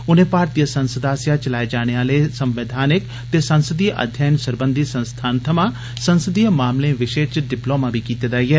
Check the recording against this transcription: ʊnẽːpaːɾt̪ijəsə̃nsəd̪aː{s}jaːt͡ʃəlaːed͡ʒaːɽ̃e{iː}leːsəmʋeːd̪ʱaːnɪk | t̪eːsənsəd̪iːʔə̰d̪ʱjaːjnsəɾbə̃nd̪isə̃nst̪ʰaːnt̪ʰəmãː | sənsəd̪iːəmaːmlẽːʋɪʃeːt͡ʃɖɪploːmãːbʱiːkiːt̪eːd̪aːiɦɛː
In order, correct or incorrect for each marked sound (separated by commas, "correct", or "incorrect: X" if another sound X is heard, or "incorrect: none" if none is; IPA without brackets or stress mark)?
correct, incorrect: aː